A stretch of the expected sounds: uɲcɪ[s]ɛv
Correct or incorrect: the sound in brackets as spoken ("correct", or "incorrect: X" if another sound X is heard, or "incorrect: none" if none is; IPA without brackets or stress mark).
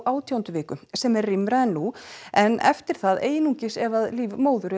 correct